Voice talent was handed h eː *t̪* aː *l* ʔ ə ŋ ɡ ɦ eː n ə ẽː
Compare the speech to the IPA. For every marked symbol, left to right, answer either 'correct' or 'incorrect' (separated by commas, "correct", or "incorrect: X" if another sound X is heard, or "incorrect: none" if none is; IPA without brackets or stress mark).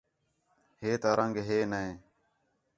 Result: correct, incorrect: ɾ